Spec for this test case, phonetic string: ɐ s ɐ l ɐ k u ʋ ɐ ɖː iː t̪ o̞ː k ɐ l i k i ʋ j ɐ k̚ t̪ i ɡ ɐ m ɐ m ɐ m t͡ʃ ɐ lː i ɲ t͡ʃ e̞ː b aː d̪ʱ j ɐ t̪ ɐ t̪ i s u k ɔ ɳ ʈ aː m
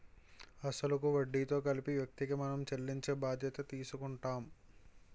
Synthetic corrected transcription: ɐ s ɐ l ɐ k u ʋ ɐ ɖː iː t̪ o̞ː k ɐ l i p i ʋ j ɐ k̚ t̪ i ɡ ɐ m ɐ n ɐ m t͡ʃ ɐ lː i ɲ t͡ʃ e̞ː b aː d̪ʱ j ɐ t̪ ɐ t̪ iː s u k u ɳ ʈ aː m

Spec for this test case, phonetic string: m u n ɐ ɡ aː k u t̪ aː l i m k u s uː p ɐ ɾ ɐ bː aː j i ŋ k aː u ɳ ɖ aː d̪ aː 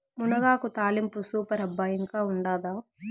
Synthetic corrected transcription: m u n ɐ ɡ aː k u t̪ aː l i m p u s uː p ɐ ɾ ɐ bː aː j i ŋ k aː u ɳ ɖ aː d̪ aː

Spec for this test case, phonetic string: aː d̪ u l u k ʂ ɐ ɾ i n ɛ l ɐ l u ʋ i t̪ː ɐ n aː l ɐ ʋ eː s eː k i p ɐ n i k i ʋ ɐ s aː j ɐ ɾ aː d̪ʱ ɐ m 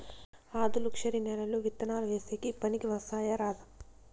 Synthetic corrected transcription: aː d̪ u l u k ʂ ɐ ɾ i n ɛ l ɐ l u ʋ i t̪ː ɐ n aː l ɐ ʋ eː s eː k i p ɐ n i k i ʋ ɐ s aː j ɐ ɾ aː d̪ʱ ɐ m

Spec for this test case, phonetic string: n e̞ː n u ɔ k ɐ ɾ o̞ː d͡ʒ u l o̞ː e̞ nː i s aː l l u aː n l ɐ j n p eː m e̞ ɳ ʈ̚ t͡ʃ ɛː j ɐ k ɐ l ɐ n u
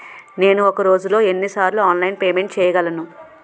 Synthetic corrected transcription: n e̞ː n u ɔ k ɐ ɾ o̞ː d͡ʒ u l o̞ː e̞ nː i s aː ɾ l u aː n l ɐ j n p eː m e̞ ɳ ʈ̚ t͡ʃ ɛː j ɐ ɡ ɐ l ɐ n u

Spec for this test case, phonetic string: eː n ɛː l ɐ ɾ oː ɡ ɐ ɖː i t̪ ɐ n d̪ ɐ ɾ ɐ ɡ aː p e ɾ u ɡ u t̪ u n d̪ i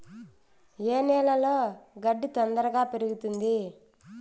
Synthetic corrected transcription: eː n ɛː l ɐ l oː ɡ ɐ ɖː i t̪ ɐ n d̪ ɐ ɾ ɐ ɡ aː p e ɾ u ɡ u t̪ u n d̪ i

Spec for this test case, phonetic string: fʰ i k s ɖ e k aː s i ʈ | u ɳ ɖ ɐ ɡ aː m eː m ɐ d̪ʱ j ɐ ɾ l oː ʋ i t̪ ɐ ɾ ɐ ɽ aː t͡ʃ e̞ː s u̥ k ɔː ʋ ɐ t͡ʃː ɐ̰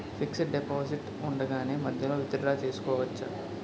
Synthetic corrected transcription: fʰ i k s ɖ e p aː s i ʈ | u ɳ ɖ ɐ ɡ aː n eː m ɐ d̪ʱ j ɐ l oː ʋ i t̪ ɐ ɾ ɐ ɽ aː t͡ʃ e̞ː s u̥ k ɔː ʋ ɐ t͡ʃː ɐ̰

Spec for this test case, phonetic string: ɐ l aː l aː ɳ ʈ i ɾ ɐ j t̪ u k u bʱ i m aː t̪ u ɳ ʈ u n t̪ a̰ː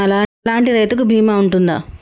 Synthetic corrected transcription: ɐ l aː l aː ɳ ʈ i ɾ ɐ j t̪ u k u bʱ iː m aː u ɳ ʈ u n d̪ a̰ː

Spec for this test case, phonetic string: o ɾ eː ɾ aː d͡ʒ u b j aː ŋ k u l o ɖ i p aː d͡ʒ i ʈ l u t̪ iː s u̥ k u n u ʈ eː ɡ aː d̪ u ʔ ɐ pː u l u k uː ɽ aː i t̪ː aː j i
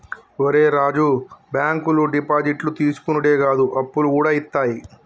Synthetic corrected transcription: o ɾ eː ɾ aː d͡ʒ u b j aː ŋ k u l u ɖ i p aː d͡ʒ i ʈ l u t̪ iː s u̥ k u n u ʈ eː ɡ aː d̪ u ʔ ɐ pː u l u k uː ɽ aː i t̪ː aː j i

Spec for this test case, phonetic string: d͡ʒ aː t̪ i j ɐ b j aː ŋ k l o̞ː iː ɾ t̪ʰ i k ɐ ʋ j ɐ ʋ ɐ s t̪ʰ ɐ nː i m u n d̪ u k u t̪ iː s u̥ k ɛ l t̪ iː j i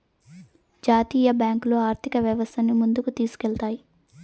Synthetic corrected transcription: d͡ʒ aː t̪ iː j ɐ b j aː ŋ k l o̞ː aː ɾ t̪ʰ i k ɐ ʋ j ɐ ʋ ɐ s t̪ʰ ɐ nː i m u n d̪ u k u t̪ iː s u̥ k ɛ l t̪ aː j i

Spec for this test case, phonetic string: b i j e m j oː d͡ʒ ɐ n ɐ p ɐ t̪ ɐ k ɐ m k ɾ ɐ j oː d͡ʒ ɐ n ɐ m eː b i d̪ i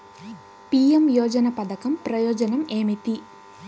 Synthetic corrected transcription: p i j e m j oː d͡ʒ ɐ n ɐ p ɐ d̪ ɐ k ɐ m p ɾ ɐ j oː d͡ʒ ɐ n ɐ m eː m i t̪ i

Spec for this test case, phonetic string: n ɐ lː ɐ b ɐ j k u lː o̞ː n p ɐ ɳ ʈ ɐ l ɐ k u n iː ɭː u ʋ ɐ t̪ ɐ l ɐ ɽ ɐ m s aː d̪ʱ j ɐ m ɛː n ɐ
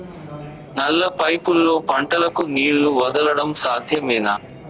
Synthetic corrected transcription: n ɐ lː ɐ p ɐ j p u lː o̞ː p ɐ ɳ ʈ ɐ l ɐ k u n iː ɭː u ʋ ɐ d̪ ɐ l ɐ ɽ ɐ m s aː d̪ʱ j ɐ m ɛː n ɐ

